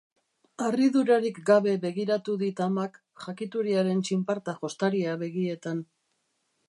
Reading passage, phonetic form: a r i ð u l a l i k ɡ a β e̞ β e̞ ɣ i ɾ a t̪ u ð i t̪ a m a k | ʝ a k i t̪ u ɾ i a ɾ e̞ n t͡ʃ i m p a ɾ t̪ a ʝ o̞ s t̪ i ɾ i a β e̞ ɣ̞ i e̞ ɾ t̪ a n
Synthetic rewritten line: a r i ð u ɾ a ɾ i k ɡ a β e̞ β e̞ ɣ i ɾ a t̪ u ð i t̪ a m a k | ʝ a k i t̪ u ɾ i a ɾ e̞ n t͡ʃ i m p a ɾ t̪ a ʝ o̞ s t̪ a ɾ i a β e̞ ɣ̞ i e̞ t̪ a n